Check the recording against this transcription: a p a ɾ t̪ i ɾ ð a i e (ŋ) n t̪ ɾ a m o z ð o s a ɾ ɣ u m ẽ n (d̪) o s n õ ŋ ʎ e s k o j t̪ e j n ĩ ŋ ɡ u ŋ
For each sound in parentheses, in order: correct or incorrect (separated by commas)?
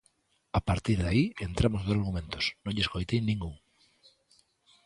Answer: incorrect, incorrect